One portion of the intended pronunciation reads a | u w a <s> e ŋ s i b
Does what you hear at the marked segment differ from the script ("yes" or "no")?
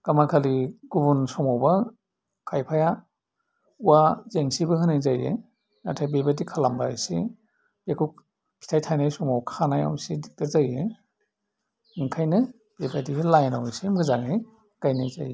yes